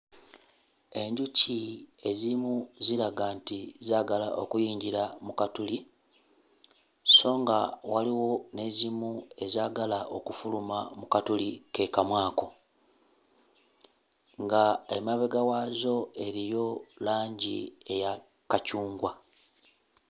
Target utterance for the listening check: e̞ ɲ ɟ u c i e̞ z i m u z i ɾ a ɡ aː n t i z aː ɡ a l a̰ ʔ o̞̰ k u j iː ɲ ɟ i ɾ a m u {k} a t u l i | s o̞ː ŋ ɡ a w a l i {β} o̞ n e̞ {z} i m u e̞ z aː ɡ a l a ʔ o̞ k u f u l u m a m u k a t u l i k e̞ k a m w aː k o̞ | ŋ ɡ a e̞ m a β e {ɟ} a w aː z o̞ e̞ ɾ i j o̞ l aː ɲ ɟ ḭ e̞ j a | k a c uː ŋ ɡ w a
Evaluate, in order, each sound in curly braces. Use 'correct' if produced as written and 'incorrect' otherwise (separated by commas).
correct, incorrect, correct, incorrect